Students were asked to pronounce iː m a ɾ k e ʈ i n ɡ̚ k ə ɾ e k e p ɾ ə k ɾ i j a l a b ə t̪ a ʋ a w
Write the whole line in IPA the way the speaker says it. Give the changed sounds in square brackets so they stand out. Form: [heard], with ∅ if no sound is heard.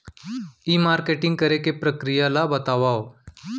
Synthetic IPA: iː m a ɾ k e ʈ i [ŋ] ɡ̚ k ə ɾ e k e p ɾ ə k ɾ i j a l a b ə t̪ a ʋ a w